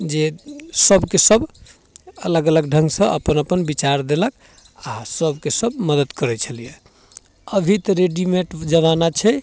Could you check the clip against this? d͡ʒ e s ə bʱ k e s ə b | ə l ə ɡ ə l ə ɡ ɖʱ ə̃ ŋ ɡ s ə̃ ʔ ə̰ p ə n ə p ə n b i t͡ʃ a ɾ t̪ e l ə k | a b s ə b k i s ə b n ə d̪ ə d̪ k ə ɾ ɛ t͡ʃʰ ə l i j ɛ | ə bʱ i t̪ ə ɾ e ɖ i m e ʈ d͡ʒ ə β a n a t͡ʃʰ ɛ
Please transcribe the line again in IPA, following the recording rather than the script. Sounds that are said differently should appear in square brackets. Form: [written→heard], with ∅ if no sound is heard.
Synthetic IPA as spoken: d͡ʒ e s ə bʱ k e s ə b | ə l ə ɡ ə l ə ɡ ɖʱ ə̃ ŋ ɡ s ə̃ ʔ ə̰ p ə n ə p ə n b i t͡ʃ a ɾ [t̪→d̪] e l ə k | a [b→∅] s ə b k [i→e] s ə b [n→m] ə d̪ ə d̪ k ə ɾ ɛ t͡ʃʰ ə l i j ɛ | ə bʱ i t̪ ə ɾ e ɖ i m e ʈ d͡ʒ ə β a n a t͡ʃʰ ɛ